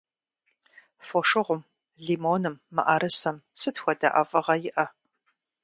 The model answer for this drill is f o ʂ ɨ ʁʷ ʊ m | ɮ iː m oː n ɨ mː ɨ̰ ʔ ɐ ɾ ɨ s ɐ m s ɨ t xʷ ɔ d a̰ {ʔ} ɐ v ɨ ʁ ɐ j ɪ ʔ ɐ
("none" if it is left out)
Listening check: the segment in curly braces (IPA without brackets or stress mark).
ʔ